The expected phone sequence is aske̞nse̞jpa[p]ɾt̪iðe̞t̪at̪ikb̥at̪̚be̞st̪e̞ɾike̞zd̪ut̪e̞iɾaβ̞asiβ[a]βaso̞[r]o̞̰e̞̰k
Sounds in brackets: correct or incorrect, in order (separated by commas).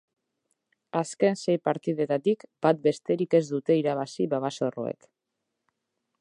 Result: incorrect, correct, correct